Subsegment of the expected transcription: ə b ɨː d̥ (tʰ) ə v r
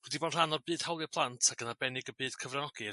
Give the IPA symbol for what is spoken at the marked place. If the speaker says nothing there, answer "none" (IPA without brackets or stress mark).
kʰ